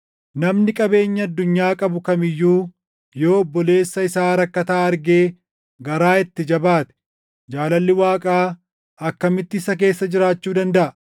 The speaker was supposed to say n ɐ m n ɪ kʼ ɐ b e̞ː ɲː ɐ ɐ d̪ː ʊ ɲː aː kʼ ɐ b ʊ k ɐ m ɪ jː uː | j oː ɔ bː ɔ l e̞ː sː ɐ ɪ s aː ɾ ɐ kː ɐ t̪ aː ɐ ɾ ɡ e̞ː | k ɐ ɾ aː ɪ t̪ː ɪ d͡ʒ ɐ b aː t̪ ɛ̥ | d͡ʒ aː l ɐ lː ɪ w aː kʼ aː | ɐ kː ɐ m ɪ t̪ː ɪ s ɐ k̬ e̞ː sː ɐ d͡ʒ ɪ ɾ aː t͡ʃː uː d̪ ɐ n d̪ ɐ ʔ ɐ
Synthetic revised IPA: n ɐ m n ɪ kʼ ɐ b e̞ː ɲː ɐ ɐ d̪ː ʊ ɲː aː kʼ ɐ b ʊ k ɐ m ɪ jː uː | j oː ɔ bː ɔ l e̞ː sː ɐ ɪ s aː ɾ ɐ kː ɐ t̪ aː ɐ ɾ ɡ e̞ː | ɡ ɐ ɾ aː ɪ t̪ː ɪ d͡ʒ ɐ b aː t̪ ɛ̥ | d͡ʒ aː l ɐ lː ɪ w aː kʼ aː | ɐ kː ɐ m ɪ t̪ː ɪ s ɐ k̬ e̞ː sː ɐ d͡ʒ ɪ ɾ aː t͡ʃː uː d̪ ɐ n d̪ ɐ ʔ ɐ